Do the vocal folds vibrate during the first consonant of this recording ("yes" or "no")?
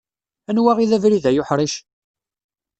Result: yes